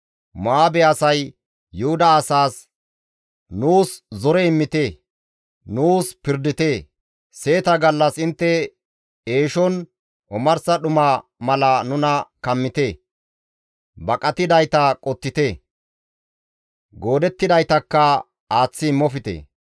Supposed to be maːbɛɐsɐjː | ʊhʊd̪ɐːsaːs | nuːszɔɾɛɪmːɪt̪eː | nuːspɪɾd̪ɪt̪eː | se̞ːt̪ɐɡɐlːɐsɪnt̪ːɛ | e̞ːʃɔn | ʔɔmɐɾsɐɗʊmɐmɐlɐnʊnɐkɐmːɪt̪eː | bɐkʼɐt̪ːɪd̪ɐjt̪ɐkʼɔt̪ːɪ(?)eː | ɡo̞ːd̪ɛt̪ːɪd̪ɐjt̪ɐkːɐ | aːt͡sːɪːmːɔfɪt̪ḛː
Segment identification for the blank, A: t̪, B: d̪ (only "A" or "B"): A